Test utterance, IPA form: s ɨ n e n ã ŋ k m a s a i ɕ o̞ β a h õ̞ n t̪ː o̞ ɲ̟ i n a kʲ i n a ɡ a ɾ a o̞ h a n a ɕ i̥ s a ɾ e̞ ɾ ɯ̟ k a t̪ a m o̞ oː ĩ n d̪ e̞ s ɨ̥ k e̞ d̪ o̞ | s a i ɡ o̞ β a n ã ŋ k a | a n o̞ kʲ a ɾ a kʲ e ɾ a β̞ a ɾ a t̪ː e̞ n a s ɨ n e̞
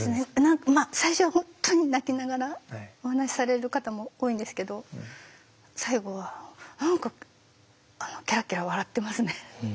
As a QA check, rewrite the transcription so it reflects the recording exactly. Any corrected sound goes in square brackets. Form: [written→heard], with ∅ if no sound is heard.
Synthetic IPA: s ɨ n e n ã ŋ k m a s a i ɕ o̞ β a h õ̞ n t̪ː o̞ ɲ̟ i n a kʲ i n a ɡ a ɾ a o̞ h a n a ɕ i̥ s a ɾ e̞ ɾ ɯ̟ k a t̪ a m o̞ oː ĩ n d̪ e̞ s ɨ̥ k e̞ d̪ o̞ | s a i ɡ o̞ β a n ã ŋ k a | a n o̞ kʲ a ɾ a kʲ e ɾ a β̞ a ɾ a t̪ː e̞ [n→m] a s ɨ n e̞